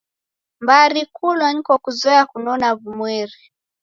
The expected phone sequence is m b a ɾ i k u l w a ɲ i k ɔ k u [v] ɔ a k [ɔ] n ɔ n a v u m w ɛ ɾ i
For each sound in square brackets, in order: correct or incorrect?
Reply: incorrect: z, incorrect: u

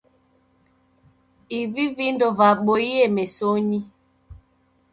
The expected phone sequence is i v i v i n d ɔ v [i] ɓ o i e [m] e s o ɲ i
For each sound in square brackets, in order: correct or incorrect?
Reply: incorrect: a, correct

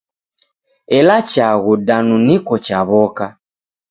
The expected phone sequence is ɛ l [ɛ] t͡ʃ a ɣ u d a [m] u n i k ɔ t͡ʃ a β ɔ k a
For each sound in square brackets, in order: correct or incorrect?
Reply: incorrect: a, incorrect: n

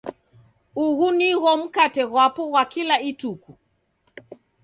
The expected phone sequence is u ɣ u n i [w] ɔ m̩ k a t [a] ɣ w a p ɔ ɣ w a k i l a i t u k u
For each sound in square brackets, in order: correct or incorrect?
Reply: incorrect: ɣ, incorrect: ɛ

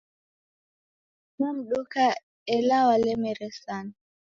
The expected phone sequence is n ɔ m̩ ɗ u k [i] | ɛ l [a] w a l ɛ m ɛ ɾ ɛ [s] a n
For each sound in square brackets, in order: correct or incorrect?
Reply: incorrect: a, correct, correct

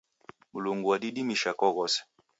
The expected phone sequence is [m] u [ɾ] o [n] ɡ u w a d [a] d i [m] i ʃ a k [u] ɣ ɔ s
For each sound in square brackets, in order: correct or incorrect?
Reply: correct, incorrect: l, incorrect: ŋ, incorrect: i, correct, incorrect: ɔ

